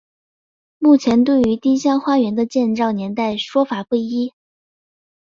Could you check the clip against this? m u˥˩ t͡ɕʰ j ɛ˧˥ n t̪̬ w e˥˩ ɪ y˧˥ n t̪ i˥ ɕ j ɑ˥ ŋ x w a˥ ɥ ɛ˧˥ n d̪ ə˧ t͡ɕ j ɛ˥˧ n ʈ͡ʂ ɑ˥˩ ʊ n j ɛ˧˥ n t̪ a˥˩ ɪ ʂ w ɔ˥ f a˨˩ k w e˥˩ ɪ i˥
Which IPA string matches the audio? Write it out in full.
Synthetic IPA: m u˥˩ t͡ɕʰ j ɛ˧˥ n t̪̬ w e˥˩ ɪ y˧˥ t̪ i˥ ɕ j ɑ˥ ŋ x w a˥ ɥ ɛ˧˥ n d̪ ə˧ t͡ɕ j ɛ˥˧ n ʈ͡ʂ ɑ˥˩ ʊ n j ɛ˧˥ n t̪ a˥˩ ɪ ʂ w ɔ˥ f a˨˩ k w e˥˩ ɪ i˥

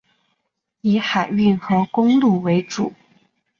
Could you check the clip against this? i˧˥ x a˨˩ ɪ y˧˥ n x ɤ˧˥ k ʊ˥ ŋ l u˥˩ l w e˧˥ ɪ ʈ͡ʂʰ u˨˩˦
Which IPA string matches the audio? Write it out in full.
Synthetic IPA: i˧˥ x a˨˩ ɪ y˥˩ n x ɤ˧˥ k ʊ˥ ŋ l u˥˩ w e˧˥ ɪ ʈ͡ʂ u˨˩˦

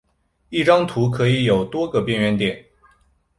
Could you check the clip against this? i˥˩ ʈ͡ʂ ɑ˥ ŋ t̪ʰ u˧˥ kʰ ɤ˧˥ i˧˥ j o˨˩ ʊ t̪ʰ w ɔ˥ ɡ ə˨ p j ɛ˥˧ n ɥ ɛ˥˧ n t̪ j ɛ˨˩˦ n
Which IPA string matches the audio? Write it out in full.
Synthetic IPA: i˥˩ ʈ͡ʂ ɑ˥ ŋ t̪ʰ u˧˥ kʰ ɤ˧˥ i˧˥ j o˨˩ ʊ t̪ w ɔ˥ ɡ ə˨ p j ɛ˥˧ n ɥ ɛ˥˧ n t̪ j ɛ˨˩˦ n

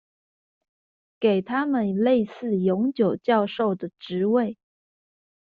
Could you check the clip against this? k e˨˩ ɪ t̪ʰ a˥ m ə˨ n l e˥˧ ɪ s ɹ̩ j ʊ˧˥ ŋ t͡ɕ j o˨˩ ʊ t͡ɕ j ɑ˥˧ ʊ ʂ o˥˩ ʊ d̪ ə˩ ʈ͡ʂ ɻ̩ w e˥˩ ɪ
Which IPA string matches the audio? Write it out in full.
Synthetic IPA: k e˨˩ ɪ t̪ʰ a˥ m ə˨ n l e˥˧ ɪ s ɹ̩ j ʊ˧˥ ŋ t͡ɕ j o˨˩ ʊ t͡ɕ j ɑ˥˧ ʊ ʂ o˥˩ ʊ d̪ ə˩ ʈ͡ʂ ɻ̩ w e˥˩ ɪ

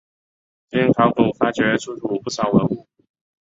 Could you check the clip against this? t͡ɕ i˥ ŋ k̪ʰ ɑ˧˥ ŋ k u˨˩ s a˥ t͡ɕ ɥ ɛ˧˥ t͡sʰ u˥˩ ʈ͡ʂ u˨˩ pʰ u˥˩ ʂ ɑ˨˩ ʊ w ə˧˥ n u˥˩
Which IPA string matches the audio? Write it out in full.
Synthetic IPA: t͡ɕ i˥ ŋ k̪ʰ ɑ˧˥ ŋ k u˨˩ f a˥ t͡ɕ ɥ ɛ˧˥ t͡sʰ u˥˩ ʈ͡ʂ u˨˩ p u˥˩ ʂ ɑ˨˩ ʊ w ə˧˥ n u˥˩

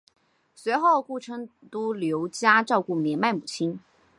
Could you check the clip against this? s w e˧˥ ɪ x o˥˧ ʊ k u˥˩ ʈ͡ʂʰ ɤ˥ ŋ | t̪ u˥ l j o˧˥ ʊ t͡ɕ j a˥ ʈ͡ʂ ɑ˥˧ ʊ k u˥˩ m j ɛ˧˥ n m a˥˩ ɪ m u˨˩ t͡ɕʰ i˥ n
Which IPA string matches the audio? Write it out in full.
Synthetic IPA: s w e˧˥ ɪ x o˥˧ ʊ k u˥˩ ʈ͡ʂʰ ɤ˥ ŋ | t̪ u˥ l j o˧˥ ʊ t͡ɕ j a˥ ʈ͡ʂ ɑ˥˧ ʊ k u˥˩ m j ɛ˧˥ n m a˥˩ ɪ m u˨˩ t͡ɕʰ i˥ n

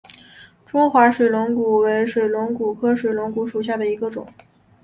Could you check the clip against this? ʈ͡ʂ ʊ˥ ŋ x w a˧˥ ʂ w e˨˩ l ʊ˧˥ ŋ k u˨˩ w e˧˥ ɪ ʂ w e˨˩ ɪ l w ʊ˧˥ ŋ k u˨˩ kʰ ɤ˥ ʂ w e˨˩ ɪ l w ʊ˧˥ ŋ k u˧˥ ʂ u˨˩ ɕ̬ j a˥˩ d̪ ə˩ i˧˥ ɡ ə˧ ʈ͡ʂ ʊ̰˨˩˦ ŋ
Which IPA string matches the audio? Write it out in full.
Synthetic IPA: ʈ͡ʂ ʊ˥ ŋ x w a˧˥ ʂ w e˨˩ l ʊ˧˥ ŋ k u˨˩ w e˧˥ ɪ ʂ w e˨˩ ɪ l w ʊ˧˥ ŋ k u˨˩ kʰ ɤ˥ ʂ w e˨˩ ɪ l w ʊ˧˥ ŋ k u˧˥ ʂ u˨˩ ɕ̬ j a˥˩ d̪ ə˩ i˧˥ ɡ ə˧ ʈ͡ʂ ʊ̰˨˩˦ ŋ

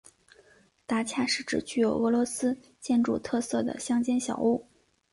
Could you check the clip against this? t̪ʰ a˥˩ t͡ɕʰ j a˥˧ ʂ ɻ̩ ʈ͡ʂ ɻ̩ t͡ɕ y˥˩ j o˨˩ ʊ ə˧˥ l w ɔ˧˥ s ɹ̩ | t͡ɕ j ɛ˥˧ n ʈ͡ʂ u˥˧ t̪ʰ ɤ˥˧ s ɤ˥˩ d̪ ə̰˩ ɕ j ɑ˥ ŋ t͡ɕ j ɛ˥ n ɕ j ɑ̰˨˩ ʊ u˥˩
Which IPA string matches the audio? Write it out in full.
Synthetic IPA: t̪ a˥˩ t͡ɕʰ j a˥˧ ʂ ɻ̩ ʈ͡ʂ ɻ̩ t͡ɕ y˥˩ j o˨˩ ʊ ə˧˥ l w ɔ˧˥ s ɹ̩ | t͡ɕ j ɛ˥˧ n ʈ͡ʂ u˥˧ t̪ʰ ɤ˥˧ s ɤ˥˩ d̪ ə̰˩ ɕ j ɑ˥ ŋ t͡ɕ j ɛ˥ n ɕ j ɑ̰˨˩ ʊ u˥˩

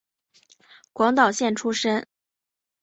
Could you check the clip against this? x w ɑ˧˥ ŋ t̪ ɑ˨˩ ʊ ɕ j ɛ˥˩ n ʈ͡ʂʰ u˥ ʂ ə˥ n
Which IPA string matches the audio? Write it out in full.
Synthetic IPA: k w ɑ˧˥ ŋ t̪ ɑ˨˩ ʊ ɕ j ɛ˥˩ n ʈ͡ʂʰ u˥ ʂ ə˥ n

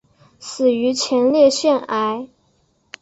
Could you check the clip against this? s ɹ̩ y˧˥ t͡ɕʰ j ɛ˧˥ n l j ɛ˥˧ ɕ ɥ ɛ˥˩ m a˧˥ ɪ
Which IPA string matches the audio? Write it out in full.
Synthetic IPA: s ɹ̩ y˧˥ t͡ɕʰ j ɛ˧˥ n l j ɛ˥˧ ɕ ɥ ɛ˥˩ n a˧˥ ɪ

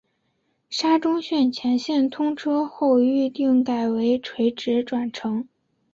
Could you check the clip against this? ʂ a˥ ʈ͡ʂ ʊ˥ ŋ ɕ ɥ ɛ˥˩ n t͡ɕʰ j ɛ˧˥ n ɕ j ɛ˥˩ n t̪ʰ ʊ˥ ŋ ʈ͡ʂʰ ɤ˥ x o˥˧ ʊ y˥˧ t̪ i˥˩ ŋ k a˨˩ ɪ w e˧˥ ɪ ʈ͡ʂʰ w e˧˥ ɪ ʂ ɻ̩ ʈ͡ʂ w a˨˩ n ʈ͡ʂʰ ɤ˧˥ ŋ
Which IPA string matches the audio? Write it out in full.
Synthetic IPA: ʂ a˥ ʈ͡ʂ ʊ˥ ŋ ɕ ɥ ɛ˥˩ n t͡ɕʰ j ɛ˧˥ n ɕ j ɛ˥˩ n t̪ʰ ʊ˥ ŋ ʈ͡ʂʰ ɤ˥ x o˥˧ ʊ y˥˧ t̪ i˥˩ ŋ k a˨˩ ɪ w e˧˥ ɪ ʈ͡ʂʰ w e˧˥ ɪ ʈ͡ʂ ɻ̩ ʈ͡ʂ w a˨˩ n ʈ͡ʂʰ ɤ˧˥ ŋ

